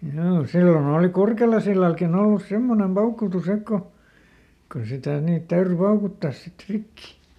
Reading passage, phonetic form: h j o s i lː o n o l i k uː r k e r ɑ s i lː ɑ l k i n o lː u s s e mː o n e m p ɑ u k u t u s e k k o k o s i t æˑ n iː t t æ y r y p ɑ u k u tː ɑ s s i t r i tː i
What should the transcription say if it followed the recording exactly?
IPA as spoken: h j oː s i lː o n oː l i k u r k e l ɑ s i lː ɑ l k i n o lː u s s e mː o n e m p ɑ u k u t u s e k k o k o s i t æˑ n iː t t æ y r y p ɑ u k u tː ɑ s s i t r i kː i

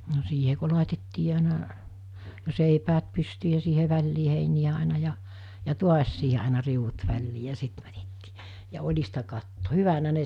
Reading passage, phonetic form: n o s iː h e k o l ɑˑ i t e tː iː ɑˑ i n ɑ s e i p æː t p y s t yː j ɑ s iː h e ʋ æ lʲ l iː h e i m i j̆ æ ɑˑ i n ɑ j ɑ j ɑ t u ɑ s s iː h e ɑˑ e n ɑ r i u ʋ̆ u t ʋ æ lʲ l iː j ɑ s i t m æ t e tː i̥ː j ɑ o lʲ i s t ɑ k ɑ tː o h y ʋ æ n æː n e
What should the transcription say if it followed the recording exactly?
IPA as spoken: n o s iː h e k o l ɑˑ i t e tː iː ɑˑ i n ɑ s e i p æː t p y s t yː j ɑ s iː h e ʋ æ lʲ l iː h e i n i j̆ æ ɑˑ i n ɑ j ɑ j ɑ t u ɑ s s iː h e ɑˑ e n ɑ r i u ʋ̆ u t ʋ æ lʲ l iː j ɑ s i t m æ t e tː i̥ː j ɑ o lʲ i s t ɑ k ɑ tː o h y ʋ æ n æ n e

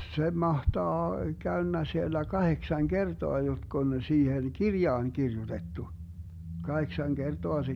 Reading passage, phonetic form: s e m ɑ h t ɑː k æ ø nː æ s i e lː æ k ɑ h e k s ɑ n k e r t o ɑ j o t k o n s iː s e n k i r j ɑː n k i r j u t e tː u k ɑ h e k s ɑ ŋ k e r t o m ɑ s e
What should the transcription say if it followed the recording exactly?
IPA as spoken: s e m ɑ h t ɑː k æ ø nː æ s i e lː æ k ɑ h e k s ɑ ŋ k e r t o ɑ j o t k o n s iː h e n k i r j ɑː n k i r j u t e tː u k ɑ h e k s ɑ ŋ k e r t o ɑ s e

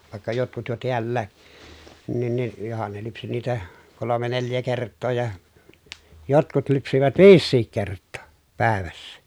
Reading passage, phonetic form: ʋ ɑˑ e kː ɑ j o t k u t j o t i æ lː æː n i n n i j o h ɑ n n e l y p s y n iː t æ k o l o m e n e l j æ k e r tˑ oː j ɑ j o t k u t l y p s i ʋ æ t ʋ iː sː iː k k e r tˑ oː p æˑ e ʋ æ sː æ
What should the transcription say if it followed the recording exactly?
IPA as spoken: ʋ ɑˑ e kː ɑ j o t k u t j o t i æ lː æː n i n n i j o h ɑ n n e l y p s i n iː t æ k o l o m e n e l j æ k e r tˑ oː j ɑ j o t k u t l y p s i ʋ æ t ʋ iː sː iː k k e r tˑ oː p æˑ e ʋ æ sː æ

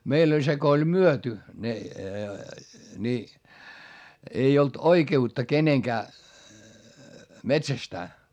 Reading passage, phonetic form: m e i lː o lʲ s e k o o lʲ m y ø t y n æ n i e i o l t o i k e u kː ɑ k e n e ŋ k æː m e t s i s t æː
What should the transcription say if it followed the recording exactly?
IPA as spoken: m e i lː o lʲ s e k o o lʲ m y ø t y n e n i e i o l t o i k e u tː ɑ k e n e ŋ k æː m e t s æ s t æː

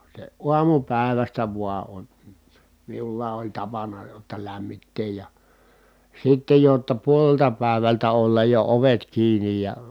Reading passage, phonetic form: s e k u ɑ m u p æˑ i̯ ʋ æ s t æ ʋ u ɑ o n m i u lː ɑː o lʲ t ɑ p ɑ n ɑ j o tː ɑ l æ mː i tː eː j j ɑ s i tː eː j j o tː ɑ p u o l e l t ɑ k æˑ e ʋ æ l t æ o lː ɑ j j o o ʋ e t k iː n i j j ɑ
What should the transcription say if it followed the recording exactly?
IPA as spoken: s e u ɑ m u p æˑ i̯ ʋ æ s t æ ʋ u ɑ o n m i u lː ɑː o lʲ t ɑ p ɑ n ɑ j o tː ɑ l æ mː i tː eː j j ɑ s i tː e j j o tː ɑ p u o l e l t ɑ p æˑ e ʋ æ l t æ o lː ɑ j j o o ʋ e t k iː n i j j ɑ

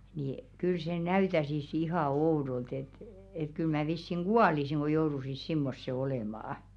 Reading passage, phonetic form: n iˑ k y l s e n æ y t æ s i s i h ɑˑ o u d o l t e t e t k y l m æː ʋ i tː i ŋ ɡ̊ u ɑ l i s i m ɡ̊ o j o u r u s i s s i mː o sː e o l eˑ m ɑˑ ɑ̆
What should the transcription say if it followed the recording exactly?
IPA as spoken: n iˑ k y l s e n æ y t æ s i s i h ɑˑ o u d o l t e t e t k y l m æː ʋ i sː i ŋ ɡ̊ u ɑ l i s i ŋ ɡ̊ o j o u r u s i s s i mː o sː e o l eˑ m ɑˑ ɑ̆

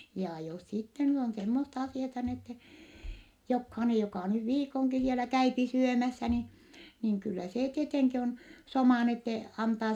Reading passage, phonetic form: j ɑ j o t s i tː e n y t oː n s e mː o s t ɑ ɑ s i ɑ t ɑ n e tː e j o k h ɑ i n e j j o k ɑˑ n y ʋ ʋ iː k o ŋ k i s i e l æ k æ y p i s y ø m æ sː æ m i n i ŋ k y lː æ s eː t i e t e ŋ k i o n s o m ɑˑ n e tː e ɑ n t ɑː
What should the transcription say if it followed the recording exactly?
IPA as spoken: j ɑ j o s s i tː e n y t o n s e mː o s t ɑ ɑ s i ɑ t ɑ n e tː e j o k h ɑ i n e j j o k ɑˑ n y ʋ ʋ iː k o ŋ k i s i e l æ k æ y p i s y ø m æ sː æ n i n i ŋ k y lː æ s eː t i e t e ŋ k i o n s o m ɑˑ n e tː e ɑ n t ɑː

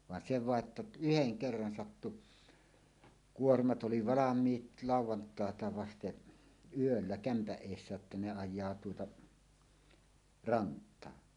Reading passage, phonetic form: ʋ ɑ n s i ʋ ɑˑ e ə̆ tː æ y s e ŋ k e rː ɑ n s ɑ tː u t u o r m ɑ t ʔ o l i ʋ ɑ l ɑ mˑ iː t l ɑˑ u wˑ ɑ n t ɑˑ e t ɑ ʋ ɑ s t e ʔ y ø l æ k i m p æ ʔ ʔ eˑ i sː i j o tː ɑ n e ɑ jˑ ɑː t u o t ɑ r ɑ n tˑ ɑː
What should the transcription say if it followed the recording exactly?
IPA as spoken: ʋ ɑ n s e ʋ ɑˑ e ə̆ tː æ y h e ŋ k e rː ɑ n s ɑ tː u k u o r m ɑ t ʔ o l i ʋ ɑ l ɑ mˑ iː t l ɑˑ u wˑ ɑ n t ɑˑ e t ɑ ʋ ɑ s t e ʔ y ø lː æ k æ m p æ ʔ ʔ eˑ i sː æ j o tː ɑ n e ɑ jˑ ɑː t u o t ɑ r ɑ n tˑ ɑː

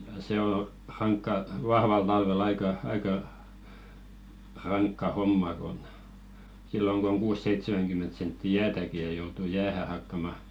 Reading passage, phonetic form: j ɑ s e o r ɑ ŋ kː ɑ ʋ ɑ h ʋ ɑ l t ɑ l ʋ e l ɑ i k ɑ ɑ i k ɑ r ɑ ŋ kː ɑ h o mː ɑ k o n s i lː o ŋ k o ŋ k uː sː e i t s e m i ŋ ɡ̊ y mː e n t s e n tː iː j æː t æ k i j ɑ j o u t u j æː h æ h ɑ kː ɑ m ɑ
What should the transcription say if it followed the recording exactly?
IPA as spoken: j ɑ s e o r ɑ ŋ kː ɑ ʋ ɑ h ʋ ɑ l t ɑ l ʋ e l ɑ i k ɑ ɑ i k ɑ r ɑ ŋ kː ɑ h o mː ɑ k o n s i lː o ŋ k o ŋ k uː sː e i t s e m æ ŋ ɡ̊ y mː e n t s e n tː i j æː t æ k i j ɑ j o u t u j æː h æ h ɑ kː ɑ m ɑ

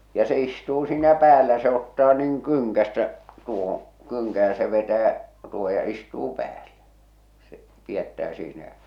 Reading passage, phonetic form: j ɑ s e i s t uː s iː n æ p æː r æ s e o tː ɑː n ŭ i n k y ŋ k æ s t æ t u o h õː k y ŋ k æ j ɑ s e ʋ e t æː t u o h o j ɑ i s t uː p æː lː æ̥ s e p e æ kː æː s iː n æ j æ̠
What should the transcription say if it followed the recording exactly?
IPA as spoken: j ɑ s e i s t uː s iː n æ p æː l æ s e o tː ɑː n ŭ i ŋ k y ŋ k æ s t æ t u o h õː k y ŋ k æ j ɑ s e ʋ e t æː t u o h o j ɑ i s t uː p æː lː æ̥ s e p i æ tː æː s iː n æ j æ̠

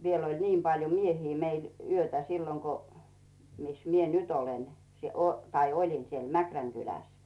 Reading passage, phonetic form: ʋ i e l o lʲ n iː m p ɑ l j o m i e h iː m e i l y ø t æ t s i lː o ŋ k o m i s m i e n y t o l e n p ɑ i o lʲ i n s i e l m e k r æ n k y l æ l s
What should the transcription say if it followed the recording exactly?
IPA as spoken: ʋ i e l o lʲ n iː m p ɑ l j o m i e h iː m e i l y ø t æ s i lː o ŋ k o m i s m i e n y t o l e n t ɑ i o lʲ i n s i e l m æ k r æ ŋ k y l æ s

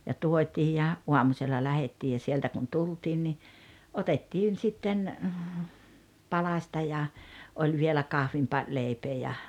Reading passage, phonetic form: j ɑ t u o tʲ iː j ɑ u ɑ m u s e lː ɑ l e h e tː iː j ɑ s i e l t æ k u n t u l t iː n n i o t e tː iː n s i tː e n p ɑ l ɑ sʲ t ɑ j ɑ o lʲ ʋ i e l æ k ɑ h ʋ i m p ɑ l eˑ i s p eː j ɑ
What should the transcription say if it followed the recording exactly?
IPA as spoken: j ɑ t u o tʲ iː j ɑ u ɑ m u s e lː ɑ l æ h e tː iː j ɑ s i e l t æ k u n t u l t iː n n i o t e tː iː n s i tː e n p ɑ l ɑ sʲ t ɑ j ɑ o lʲ ʋ i e l æ k ɑ h ʋ i m p ɑ l eˑ i p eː j ɑ

